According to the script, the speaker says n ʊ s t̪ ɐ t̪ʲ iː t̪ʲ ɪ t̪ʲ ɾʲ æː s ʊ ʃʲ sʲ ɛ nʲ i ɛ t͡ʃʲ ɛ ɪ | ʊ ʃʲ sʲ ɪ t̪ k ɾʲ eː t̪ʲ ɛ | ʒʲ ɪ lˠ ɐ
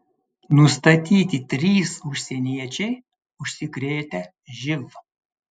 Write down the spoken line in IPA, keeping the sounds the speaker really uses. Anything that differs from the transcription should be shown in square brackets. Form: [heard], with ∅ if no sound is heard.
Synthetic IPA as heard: n ʊ s t̪ ɐ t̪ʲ iː t̪ʲ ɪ t̪ʲ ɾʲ [iː] s ʊ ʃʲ sʲ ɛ nʲ i ɛ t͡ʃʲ ɛ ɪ | ʊ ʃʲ sʲ ɪ [∅] k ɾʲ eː t̪ʲ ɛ | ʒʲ ɪ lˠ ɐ